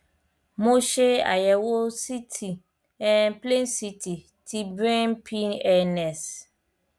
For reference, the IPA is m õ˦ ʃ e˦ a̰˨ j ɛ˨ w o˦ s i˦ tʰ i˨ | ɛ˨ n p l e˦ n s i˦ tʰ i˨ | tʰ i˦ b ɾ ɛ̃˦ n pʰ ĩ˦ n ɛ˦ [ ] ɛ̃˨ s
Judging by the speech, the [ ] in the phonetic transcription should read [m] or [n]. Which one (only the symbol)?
n